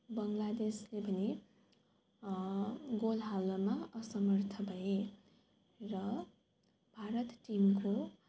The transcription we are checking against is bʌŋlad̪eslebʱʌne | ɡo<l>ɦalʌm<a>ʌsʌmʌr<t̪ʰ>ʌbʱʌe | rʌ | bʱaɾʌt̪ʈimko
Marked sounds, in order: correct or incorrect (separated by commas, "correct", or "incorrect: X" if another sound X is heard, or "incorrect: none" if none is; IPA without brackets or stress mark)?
correct, correct, correct